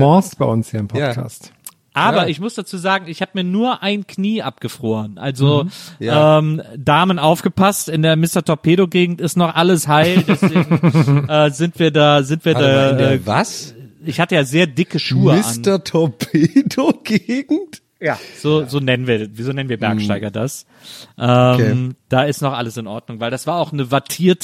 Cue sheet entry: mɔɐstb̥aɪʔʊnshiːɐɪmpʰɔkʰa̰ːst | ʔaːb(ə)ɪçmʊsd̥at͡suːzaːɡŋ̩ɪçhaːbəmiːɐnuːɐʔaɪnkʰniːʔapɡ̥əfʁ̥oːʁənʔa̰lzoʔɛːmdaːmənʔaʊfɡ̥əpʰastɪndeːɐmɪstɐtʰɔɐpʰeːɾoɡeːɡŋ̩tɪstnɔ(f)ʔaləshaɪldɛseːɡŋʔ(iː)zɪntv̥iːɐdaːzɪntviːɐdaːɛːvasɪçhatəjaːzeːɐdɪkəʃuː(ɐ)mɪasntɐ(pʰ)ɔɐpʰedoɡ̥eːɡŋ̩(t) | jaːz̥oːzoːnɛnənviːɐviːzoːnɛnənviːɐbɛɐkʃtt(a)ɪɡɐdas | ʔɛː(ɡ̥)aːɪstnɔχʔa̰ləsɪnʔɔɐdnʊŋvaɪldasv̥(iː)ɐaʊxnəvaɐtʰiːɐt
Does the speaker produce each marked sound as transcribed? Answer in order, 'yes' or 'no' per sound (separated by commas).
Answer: no, no, no, no, no, yes, yes, no, no